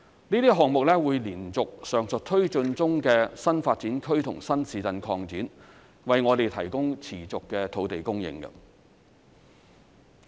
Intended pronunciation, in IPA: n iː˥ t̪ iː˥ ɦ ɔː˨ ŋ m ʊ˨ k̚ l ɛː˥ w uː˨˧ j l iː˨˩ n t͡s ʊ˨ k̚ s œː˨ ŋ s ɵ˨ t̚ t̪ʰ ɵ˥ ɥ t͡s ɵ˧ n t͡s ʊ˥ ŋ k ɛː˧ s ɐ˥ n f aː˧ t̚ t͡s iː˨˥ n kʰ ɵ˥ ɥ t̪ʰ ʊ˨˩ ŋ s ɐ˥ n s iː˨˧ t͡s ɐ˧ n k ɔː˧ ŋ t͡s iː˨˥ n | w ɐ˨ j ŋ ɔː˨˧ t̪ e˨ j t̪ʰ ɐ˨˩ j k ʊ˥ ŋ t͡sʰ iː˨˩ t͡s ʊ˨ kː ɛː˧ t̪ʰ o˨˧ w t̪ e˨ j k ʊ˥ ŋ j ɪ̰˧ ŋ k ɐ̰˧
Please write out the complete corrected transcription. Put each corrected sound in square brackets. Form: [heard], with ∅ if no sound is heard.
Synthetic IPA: n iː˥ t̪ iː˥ ɦ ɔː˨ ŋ m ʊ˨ k̚ l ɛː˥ w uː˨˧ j l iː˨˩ n t͡s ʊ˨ k̚ s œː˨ ŋ s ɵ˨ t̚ t̪ʰ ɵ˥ ɥ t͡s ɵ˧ n t͡s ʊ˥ ŋ k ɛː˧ s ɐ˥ n f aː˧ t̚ t͡s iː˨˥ n kʰ ɵ˥ ɥ t̪ʰ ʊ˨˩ ŋ s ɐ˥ n s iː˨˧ t͡s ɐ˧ n [kʰ] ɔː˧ ŋ t͡s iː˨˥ n | w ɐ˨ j ŋ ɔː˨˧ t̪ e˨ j t̪ʰ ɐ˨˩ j k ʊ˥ ŋ t͡sʰ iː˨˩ t͡s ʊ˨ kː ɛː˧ t̪ʰ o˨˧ w t̪ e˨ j k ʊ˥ ŋ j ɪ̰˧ ŋ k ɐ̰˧